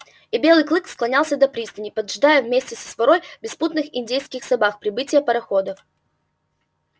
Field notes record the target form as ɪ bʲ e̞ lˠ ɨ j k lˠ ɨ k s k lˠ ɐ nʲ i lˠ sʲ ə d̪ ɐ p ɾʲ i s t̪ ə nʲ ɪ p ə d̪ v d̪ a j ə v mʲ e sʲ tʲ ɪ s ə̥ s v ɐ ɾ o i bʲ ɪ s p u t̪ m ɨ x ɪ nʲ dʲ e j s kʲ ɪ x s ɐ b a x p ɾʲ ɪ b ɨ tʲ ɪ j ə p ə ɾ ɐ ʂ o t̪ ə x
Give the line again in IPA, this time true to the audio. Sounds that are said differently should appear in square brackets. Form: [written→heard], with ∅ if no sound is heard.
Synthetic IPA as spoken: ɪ bʲ e̞ lˠ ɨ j k lˠ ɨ k s k lˠ ɐ nʲ [i→a] lˠ sʲ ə d̪ ɐ p ɾʲ i s t̪ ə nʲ ɪ p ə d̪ [v→ʐ] d̪ a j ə v mʲ e sʲ tʲ ɪ s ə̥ s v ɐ ɾ o [i→j] bʲ ɪ s p u t̪ [m→n] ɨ x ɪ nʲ dʲ e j s kʲ ɪ x s ɐ b a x p ɾʲ ɪ b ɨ tʲ ɪ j ə p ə ɾ ɐ [ʂ→x] o [t̪→d̪] ə [x→f]